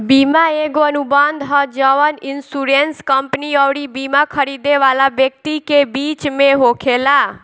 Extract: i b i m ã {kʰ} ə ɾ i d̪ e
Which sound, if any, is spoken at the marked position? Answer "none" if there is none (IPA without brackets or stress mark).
kʰ